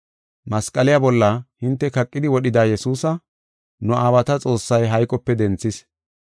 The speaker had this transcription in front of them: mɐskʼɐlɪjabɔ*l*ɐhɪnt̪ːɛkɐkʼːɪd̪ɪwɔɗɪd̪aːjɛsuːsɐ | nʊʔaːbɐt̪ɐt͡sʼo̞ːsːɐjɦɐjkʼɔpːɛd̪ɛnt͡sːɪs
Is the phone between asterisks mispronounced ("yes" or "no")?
yes